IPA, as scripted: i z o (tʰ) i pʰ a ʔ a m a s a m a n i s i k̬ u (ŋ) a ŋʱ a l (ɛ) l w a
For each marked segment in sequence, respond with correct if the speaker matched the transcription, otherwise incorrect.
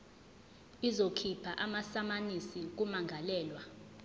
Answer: incorrect: kʰ, incorrect: m, incorrect: ɛː

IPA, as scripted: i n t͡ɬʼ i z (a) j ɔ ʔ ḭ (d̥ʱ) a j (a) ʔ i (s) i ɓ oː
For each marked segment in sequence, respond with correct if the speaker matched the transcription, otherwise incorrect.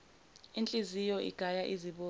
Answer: incorrect: i, incorrect: ɡ̥ʱ, correct, incorrect: z

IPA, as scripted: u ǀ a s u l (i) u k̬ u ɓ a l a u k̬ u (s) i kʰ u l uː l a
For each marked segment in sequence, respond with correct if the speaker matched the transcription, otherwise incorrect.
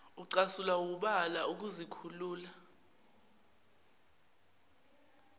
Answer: incorrect: a, incorrect: z

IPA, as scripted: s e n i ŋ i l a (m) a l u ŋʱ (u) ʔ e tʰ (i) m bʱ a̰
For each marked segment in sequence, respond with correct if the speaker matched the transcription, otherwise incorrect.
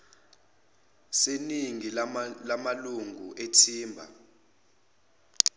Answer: correct, correct, incorrect: iː

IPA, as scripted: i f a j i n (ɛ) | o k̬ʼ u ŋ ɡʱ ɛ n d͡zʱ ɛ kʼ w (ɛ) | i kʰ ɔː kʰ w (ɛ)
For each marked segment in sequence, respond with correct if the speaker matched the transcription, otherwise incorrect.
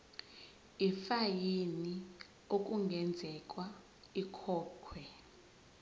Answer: incorrect: i, incorrect: a, correct

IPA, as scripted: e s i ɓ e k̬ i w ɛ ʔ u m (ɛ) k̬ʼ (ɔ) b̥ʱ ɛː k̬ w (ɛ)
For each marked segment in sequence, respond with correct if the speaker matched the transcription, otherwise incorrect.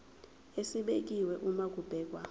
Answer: incorrect: a, incorrect: u, incorrect: a

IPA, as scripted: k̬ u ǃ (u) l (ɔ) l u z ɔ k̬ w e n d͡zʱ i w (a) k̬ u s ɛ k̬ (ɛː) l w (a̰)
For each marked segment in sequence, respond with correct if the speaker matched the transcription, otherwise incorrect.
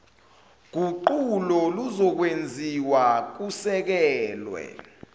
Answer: correct, correct, correct, correct, incorrect: ɛ̰

